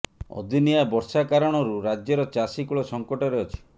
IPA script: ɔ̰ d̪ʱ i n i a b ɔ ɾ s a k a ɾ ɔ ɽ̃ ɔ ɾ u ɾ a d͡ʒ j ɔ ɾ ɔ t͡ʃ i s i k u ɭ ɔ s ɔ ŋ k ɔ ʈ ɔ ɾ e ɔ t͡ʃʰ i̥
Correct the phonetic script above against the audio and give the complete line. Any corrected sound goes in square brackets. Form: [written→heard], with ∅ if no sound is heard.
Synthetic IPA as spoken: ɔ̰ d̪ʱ i n i a b ɔ ɾ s a k a ɾ ɔ ɽ̃ ɔ ɾ u ɾ a d͡ʒ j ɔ ɾ ɔ t͡ʃ [i→a] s i k u ɭ ɔ s ɔ ŋ k ɔ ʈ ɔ ɾ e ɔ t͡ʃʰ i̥